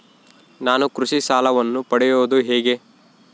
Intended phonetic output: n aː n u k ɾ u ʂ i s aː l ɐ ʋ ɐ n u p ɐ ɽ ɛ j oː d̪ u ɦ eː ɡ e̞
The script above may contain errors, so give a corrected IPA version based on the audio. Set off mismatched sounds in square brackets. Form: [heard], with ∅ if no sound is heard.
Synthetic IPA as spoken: n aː n u k ɾ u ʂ i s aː l ɐ ʋ ɐ [nː] u p ɐ ɽ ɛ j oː d̪ u ɦ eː ɡ e̞